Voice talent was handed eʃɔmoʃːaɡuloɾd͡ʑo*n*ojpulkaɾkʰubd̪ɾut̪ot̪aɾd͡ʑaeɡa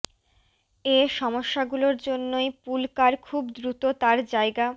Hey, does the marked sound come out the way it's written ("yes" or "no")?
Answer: no